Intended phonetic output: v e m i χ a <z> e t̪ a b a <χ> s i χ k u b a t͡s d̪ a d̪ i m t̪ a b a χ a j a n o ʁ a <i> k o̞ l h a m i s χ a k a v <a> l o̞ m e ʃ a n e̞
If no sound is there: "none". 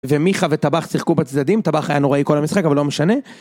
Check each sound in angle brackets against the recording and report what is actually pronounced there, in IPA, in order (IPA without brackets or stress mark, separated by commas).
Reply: v, χ, i, a